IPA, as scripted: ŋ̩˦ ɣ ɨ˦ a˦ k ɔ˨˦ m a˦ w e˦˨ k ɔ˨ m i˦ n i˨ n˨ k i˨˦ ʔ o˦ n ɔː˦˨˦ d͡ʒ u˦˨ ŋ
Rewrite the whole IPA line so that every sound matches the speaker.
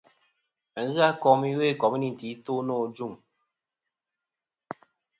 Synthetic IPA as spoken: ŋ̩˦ ɣ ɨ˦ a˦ k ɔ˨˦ m i˦ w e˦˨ k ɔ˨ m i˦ n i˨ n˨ t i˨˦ t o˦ n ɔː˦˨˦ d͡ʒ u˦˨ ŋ